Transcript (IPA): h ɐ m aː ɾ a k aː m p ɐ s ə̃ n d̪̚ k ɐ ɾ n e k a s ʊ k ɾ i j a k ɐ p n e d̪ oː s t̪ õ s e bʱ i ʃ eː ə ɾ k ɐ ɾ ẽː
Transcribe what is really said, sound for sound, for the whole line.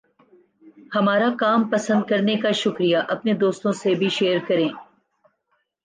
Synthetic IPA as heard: h ɐ m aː ɾ a k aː m p ɐ s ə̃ n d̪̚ k ɐ ɾ n e k a ʃ ʊ k ɾ i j a ʔ ɐ p n e d̪ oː s t̪ õ s e bʱ i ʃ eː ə ɾ k ɐ ɾ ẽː